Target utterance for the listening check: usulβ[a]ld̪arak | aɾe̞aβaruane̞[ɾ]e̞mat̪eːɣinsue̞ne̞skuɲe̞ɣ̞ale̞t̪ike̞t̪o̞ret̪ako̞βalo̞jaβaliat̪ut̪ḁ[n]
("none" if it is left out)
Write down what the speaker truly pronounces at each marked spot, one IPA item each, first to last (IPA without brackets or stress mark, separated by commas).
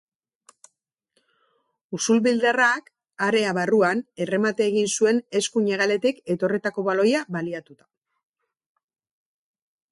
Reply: i, r, none